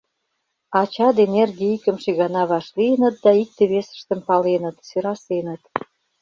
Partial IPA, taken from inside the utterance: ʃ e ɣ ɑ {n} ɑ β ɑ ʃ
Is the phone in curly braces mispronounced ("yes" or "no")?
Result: no